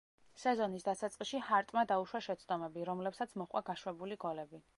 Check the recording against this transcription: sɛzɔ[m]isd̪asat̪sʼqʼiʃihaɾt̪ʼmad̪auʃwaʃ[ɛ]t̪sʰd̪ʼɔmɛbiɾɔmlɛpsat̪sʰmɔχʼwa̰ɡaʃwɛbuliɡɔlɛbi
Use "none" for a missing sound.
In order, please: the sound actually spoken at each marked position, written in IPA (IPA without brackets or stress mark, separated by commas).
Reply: n, ɛ